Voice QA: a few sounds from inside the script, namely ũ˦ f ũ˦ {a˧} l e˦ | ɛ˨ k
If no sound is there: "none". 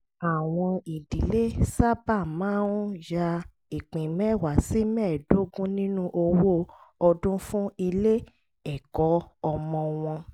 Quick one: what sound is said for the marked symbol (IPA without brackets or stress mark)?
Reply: i˧